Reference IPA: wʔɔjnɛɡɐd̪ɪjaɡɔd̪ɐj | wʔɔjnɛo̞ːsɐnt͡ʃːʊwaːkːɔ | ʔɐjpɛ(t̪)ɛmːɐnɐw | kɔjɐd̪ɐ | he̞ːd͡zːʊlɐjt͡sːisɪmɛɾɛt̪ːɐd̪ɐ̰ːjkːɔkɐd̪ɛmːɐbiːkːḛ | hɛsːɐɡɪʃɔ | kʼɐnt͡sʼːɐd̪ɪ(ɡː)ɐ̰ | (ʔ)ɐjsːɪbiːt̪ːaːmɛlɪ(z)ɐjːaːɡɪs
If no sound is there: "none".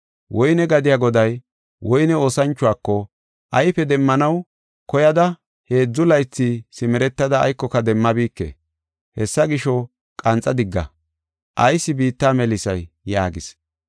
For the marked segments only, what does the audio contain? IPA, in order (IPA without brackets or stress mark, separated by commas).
d̪, ɡː, ʔ, s